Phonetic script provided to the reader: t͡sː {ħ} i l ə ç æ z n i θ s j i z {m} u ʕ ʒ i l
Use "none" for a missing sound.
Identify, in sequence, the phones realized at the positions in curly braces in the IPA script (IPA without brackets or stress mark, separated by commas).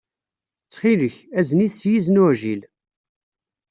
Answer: χ, n